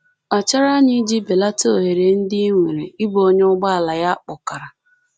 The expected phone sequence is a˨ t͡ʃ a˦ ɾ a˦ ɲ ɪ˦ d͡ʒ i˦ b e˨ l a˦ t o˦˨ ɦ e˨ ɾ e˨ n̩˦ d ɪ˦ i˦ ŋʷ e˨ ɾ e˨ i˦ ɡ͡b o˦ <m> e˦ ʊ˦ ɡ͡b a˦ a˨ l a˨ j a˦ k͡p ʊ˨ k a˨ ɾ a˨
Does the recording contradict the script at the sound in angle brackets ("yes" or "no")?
yes